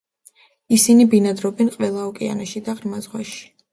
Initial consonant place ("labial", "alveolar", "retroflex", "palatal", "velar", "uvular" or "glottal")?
alveolar